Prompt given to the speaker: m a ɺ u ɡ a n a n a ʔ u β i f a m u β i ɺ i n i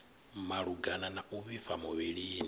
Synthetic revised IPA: m a ɺ u ɡ a n a n a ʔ u β i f a m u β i ɺ i n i